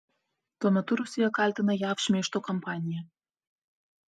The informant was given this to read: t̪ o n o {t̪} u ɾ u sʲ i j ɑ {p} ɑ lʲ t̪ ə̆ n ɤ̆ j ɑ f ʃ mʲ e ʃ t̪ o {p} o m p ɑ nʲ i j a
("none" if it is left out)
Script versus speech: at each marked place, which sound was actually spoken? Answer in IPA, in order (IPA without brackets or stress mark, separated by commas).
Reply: t̪, k, k